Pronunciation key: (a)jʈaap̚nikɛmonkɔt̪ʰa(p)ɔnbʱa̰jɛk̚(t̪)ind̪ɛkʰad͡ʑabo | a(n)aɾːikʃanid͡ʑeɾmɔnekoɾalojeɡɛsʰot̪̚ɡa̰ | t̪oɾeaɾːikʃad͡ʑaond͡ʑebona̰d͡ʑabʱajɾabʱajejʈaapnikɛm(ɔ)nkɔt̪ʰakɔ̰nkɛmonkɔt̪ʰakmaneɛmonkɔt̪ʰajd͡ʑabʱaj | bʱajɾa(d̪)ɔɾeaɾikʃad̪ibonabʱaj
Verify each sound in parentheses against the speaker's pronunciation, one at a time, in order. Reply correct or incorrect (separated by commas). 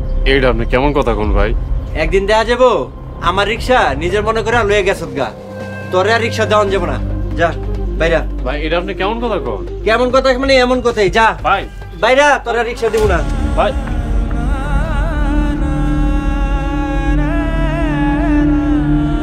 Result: incorrect, incorrect, incorrect, incorrect, incorrect, incorrect